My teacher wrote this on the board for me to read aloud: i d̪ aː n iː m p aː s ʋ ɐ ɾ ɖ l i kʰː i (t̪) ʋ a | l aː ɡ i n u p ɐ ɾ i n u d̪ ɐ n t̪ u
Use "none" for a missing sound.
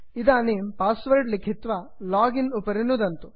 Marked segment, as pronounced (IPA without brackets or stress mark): t̪